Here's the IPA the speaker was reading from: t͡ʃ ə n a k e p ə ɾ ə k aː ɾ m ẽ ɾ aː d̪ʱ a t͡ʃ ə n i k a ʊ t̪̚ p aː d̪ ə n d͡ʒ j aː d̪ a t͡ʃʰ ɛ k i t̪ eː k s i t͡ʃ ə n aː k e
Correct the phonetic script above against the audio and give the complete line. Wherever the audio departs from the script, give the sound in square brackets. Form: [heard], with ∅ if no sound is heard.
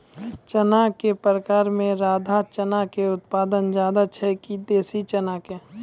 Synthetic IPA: t͡ʃ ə n a k e p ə ɾ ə k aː ɾ m ẽ ɾ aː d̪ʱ a t͡ʃ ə n [a] k [e] ʊ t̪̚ p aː d̪ ə n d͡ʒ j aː d̪ a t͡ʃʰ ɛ k i [d̪] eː [∅] s i t͡ʃ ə n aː k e